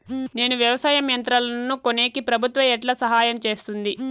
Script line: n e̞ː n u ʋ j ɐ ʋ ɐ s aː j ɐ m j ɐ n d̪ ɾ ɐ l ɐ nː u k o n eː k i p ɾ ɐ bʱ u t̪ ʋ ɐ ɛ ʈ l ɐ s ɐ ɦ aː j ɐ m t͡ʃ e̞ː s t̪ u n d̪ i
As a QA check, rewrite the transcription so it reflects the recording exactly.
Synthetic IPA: n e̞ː n u ʋ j ɐ ʋ ɐ s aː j ɐ m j ɐ n t̪ ɾ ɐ l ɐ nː u k o n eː k i p ɾ ɐ bʱ u t̪ ʋ ɐ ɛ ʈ l ɐ s ɐ ɦ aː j ɐ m t͡ʃ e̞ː s t̪ u n d̪ i